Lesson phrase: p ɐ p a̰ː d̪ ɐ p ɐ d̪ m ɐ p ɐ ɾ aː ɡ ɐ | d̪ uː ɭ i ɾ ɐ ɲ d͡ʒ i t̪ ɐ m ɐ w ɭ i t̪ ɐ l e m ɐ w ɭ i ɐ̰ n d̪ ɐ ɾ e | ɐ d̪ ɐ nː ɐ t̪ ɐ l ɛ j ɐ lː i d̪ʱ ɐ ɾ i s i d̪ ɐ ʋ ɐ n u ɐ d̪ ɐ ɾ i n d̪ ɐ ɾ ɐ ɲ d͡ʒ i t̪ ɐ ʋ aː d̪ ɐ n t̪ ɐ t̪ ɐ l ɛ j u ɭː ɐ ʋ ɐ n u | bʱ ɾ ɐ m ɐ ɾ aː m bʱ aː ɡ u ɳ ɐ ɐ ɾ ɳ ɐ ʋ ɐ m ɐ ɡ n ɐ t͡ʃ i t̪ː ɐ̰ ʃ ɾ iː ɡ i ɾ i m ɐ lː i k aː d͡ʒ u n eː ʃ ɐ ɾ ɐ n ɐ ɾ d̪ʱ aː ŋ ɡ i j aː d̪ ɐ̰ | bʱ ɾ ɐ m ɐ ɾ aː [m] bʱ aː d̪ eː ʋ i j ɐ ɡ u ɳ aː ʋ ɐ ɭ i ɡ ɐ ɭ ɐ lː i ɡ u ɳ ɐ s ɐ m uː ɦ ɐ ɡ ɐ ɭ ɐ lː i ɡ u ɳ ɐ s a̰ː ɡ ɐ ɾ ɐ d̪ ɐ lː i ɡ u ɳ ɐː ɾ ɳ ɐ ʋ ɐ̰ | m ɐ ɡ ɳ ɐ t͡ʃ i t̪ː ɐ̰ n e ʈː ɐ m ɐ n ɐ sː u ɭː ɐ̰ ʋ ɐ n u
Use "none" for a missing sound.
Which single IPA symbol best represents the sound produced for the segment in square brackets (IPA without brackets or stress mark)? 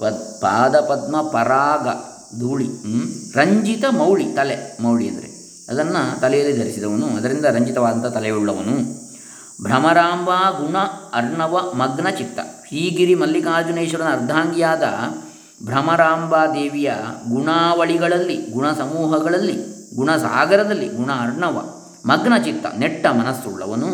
m